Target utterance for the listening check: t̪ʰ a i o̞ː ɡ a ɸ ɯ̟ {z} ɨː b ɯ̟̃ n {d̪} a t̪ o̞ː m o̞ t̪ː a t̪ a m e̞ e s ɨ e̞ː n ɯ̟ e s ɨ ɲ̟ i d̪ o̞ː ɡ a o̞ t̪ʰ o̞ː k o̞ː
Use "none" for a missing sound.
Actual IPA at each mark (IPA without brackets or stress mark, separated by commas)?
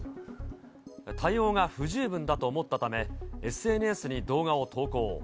ʑ, d̪